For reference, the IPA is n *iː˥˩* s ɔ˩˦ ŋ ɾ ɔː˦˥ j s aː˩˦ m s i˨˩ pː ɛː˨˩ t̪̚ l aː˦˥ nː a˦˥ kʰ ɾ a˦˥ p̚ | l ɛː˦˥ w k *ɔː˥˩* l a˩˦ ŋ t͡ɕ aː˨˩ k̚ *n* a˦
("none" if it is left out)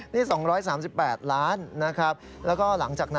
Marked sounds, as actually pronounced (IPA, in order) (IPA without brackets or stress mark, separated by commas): iː˥˩, ɔː˥˩, n